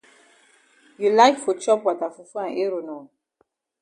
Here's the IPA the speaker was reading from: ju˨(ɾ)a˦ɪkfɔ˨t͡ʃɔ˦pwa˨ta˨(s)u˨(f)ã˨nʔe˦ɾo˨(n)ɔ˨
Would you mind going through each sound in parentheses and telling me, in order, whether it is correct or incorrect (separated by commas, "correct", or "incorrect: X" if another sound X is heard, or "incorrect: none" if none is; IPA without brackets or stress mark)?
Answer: incorrect: l, incorrect: f, correct, correct